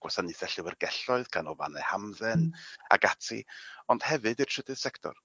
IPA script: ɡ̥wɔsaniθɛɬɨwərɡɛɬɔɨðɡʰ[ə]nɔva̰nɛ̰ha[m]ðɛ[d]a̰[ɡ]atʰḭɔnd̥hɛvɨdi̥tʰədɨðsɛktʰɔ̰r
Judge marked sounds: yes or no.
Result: no, yes, no, yes

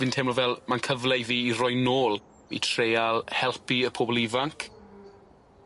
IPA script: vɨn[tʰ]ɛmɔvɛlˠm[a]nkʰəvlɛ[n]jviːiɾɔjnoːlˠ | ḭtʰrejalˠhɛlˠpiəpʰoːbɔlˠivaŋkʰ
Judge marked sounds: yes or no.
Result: yes, yes, no

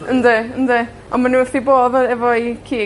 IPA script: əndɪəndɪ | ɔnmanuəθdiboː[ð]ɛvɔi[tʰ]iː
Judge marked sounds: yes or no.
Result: yes, no

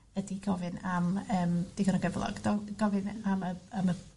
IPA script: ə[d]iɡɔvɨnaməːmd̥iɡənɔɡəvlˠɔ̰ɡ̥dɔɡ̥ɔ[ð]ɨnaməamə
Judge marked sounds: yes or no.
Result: yes, no

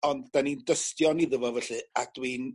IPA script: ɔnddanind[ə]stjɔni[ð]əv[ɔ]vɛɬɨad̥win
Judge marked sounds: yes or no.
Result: yes, yes, yes

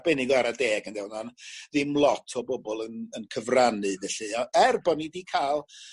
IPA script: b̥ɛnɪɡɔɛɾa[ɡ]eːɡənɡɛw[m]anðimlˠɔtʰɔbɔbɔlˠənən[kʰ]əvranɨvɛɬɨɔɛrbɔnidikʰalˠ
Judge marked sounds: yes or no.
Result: no, no, yes

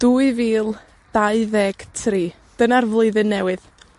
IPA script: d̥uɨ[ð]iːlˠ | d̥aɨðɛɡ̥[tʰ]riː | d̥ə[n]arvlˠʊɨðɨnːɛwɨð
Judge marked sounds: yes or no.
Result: no, yes, yes

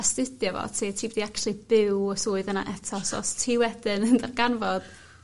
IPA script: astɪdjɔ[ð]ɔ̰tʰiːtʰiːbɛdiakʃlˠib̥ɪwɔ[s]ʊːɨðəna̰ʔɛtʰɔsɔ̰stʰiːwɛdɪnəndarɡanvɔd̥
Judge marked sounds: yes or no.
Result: no, yes

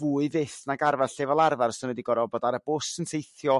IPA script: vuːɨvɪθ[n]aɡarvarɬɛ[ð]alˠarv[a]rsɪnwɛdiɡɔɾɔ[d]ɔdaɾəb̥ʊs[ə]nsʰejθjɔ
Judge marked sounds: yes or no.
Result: yes, no, yes, no, yes

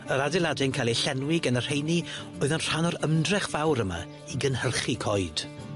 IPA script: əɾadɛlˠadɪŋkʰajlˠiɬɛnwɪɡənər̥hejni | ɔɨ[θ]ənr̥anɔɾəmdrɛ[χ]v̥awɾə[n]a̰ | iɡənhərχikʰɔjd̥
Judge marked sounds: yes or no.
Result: no, yes, no

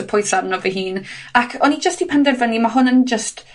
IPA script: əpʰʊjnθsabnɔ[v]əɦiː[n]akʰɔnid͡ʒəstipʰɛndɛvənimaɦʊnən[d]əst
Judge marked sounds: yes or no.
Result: yes, yes, no

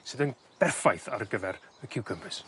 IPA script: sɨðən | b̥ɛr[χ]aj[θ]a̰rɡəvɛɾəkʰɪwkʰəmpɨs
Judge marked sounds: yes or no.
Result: no, yes

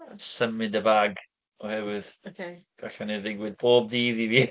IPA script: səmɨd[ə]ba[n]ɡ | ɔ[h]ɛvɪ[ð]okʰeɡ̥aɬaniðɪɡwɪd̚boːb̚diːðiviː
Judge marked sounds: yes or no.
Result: yes, no, yes, yes

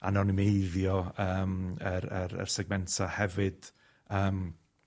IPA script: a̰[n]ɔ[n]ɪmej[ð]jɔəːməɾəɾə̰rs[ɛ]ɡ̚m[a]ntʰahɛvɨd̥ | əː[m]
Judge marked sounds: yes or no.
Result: yes, yes, yes, yes, no, yes

